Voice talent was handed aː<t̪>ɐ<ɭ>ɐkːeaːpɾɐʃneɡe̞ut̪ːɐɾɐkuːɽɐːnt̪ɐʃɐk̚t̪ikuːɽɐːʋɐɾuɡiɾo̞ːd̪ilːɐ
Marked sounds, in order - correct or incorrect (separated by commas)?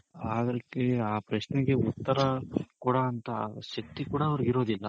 incorrect, incorrect